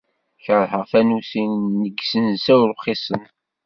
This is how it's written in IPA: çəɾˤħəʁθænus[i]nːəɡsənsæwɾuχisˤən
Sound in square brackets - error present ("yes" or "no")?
no